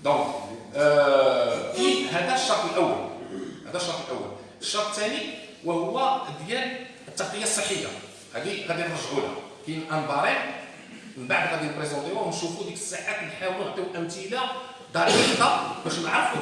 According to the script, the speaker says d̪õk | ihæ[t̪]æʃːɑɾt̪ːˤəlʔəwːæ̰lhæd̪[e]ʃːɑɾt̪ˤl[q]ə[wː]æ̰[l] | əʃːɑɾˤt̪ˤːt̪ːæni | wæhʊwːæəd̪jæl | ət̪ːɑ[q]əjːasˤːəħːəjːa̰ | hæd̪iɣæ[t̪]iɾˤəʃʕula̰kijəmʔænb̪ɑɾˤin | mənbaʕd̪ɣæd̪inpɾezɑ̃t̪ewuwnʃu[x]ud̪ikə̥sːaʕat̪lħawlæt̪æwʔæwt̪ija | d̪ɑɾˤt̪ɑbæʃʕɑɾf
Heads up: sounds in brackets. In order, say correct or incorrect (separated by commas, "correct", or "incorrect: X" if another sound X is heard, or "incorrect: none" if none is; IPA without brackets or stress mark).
incorrect: d̪, incorrect: æ, incorrect: ʔ, correct, correct, correct, incorrect: d̪, incorrect: f